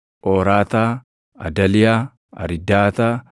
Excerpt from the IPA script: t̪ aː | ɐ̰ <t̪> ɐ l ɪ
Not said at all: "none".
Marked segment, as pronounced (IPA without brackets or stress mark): d̪